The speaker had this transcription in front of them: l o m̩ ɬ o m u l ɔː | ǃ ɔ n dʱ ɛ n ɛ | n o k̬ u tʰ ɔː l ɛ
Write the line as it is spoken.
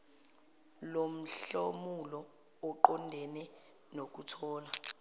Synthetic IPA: l o m̩ ɬ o m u l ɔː | ǃ ɔ n dʱ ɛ n ɛ | n o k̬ u tʰ ɔː l a